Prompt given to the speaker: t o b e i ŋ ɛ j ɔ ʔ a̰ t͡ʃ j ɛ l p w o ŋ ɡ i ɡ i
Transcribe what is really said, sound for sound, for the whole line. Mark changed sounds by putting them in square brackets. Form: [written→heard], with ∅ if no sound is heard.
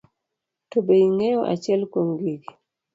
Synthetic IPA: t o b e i ŋ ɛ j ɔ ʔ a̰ t͡ʃ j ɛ l [p→k] w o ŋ ɡ i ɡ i